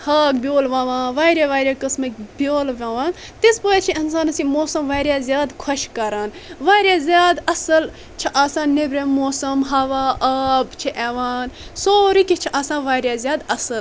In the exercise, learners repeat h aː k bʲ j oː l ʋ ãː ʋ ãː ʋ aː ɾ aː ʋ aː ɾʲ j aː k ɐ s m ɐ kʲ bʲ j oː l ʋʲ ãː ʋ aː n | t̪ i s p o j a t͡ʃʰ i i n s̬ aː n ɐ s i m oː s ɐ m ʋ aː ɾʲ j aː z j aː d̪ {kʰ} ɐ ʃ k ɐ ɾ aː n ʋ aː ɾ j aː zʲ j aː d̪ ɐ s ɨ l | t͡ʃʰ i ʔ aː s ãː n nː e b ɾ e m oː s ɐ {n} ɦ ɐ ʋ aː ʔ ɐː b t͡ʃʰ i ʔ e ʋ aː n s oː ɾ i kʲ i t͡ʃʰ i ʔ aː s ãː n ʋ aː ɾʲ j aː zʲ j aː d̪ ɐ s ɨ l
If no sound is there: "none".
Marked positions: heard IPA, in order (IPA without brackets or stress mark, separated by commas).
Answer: kʰ, m